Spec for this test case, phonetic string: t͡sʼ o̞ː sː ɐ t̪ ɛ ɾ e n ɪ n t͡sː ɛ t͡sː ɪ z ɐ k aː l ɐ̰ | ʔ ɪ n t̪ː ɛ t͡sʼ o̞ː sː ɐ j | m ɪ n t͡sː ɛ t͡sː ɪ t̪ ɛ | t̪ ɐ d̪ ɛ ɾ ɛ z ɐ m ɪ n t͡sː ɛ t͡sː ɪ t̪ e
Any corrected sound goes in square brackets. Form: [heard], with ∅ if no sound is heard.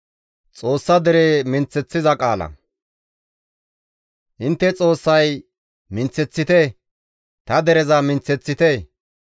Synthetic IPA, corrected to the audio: t͡sʼ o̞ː sː ɐ [d̪] ɛ ɾ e [m] ɪ n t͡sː ɛ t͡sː ɪ z ɐ [kʼ] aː l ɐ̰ | ʔ ɪ n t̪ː ɛ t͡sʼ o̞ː sː ɐ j | m ɪ n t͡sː ɛ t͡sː ɪ t̪ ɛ | t̪ ɐ d̪ ɛ ɾ ɛ z ɐ m ɪ n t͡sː ɛ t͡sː ɪ t̪ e